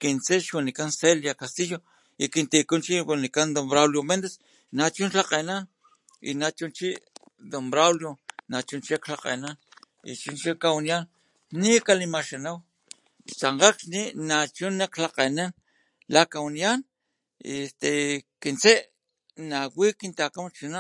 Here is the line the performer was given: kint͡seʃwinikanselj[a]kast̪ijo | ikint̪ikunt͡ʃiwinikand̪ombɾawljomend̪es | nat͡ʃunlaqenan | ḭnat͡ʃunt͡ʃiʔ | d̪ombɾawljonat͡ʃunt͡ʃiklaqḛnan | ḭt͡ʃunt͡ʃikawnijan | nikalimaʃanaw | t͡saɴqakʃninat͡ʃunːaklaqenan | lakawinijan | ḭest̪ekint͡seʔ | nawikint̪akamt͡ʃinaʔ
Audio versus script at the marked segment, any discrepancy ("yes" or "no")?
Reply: no